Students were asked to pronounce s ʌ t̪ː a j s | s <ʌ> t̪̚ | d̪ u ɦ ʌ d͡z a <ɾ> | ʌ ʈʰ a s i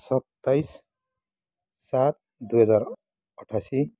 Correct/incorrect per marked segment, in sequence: incorrect, correct

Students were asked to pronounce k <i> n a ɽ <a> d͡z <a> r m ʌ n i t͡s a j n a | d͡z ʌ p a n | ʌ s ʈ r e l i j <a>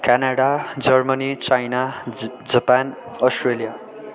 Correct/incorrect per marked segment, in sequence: incorrect, correct, incorrect, correct

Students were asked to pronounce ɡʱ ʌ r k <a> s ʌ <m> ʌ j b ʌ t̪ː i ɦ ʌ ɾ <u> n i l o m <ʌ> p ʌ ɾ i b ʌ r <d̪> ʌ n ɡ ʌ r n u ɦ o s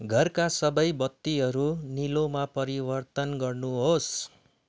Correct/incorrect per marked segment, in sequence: correct, incorrect, correct, incorrect, incorrect

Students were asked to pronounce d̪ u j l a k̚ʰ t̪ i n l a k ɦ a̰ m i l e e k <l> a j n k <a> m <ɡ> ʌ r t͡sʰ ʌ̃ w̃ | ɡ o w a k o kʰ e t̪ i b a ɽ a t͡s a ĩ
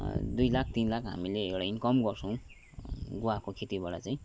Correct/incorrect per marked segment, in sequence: incorrect, incorrect, correct

